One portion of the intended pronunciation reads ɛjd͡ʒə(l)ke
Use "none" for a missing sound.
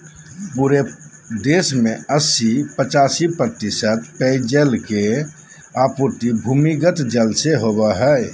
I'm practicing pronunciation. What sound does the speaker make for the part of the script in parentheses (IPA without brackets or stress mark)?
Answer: l